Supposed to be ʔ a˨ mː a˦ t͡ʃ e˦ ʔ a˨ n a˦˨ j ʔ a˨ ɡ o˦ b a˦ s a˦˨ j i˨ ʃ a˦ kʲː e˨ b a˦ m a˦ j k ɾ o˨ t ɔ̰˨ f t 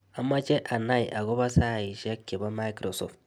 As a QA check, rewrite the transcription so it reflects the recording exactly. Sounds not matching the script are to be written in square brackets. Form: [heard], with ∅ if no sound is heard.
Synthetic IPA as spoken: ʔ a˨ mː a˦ t͡ʃ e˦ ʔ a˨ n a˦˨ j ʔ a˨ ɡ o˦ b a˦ s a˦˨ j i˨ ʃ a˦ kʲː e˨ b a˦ m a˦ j k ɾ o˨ [s] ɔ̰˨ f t

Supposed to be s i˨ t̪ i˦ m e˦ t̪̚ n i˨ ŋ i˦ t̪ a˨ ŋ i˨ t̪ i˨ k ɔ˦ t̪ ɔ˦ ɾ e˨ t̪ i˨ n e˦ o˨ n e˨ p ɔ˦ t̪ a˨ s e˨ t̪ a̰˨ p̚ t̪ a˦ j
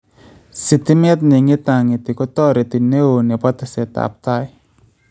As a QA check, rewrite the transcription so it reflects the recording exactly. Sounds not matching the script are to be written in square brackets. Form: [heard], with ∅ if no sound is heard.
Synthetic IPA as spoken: s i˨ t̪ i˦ m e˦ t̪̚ n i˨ ŋ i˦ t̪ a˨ ŋ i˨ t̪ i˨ k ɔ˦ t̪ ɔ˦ ɾ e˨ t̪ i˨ n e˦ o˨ n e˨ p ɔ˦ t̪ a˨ s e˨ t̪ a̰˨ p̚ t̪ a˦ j

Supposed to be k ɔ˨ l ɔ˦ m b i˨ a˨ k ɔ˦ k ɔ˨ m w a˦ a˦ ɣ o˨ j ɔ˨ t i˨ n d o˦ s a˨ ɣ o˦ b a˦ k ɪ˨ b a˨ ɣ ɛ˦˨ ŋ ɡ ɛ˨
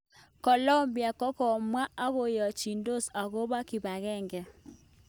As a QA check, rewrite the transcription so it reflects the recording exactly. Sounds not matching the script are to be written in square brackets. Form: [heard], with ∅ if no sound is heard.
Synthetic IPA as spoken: k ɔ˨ l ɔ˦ m b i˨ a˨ k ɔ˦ k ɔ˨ m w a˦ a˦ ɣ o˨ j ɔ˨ [t͡ʃ] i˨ n d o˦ s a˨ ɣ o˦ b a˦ k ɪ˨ b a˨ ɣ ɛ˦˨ ŋ ɡ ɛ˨

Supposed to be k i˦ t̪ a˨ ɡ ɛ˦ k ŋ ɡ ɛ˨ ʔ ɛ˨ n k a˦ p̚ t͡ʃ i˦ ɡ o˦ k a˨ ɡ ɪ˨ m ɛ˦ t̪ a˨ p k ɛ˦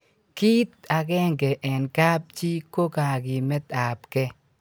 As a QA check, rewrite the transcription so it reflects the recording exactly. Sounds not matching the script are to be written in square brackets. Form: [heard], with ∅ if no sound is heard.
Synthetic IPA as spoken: k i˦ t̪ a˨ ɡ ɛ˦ [∅] ŋ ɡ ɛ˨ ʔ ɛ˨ n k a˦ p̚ t͡ʃ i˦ [k] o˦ k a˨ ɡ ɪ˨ m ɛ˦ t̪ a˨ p k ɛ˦

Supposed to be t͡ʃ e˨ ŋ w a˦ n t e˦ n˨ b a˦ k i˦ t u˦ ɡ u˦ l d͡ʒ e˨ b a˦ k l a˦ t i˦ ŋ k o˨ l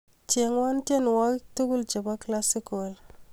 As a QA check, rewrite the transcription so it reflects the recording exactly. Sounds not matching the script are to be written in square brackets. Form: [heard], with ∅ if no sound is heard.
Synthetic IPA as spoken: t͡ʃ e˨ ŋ w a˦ n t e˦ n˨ [w] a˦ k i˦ t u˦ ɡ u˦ l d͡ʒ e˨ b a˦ k l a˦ [s] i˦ [∅] k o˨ l

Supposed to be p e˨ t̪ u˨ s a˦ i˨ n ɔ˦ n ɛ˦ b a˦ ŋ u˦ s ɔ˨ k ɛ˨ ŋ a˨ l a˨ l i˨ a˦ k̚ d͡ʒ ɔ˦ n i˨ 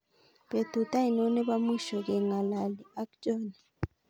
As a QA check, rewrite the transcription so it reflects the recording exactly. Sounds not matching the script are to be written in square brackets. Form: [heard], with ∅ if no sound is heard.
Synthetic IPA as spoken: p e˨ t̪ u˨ [t] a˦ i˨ n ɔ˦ n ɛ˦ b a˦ [m] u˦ [ʃ] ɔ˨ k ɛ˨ ŋ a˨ l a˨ l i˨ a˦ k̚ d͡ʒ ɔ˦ n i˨

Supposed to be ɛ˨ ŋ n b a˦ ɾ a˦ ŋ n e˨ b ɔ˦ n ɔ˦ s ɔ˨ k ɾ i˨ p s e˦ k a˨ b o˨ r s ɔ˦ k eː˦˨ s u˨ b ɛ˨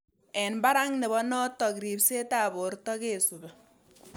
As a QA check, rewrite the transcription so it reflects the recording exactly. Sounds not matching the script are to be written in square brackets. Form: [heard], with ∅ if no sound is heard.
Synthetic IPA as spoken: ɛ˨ [∅] n b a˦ ɾ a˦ ŋ n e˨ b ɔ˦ n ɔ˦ [t] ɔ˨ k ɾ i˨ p s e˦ [t] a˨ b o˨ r [t] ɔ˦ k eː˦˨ s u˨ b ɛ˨

